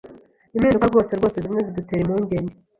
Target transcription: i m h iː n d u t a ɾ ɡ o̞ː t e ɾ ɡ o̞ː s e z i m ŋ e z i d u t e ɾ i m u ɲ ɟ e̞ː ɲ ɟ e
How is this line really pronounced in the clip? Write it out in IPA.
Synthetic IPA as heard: i m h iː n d u k a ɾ ɡ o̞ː s e ɾ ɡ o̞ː s e z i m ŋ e z i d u t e ɾ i m u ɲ ɟ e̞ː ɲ ɟ e